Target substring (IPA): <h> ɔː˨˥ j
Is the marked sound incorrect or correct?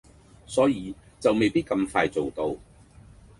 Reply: incorrect